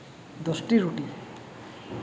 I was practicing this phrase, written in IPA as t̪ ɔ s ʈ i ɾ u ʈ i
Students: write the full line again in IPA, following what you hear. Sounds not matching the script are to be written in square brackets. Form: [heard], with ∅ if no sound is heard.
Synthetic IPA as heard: [d̪] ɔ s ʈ i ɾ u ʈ i